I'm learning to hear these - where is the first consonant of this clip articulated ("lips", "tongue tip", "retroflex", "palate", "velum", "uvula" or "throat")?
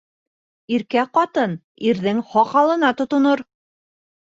tongue tip